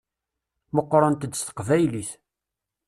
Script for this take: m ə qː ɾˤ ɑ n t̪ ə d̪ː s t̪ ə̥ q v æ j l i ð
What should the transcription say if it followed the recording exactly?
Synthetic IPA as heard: m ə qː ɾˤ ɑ n t̪ ə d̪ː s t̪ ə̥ q v æ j l i θ